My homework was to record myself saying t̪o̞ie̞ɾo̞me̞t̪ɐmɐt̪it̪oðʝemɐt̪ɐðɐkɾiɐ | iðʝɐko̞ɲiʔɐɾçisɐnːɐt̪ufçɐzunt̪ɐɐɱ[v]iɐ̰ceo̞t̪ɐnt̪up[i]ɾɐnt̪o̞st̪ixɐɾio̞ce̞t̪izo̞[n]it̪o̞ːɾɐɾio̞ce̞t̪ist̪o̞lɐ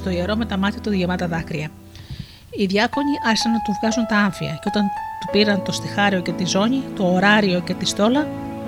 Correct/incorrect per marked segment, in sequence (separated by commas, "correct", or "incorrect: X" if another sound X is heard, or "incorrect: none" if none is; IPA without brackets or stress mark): incorrect: f, correct, incorrect: ɲ